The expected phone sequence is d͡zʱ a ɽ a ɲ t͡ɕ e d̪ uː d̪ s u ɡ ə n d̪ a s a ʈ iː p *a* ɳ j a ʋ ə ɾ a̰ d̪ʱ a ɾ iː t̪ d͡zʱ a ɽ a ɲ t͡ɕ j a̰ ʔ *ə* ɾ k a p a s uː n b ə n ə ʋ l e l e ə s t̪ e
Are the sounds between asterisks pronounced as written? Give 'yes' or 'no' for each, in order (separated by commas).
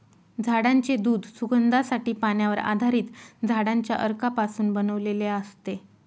yes, yes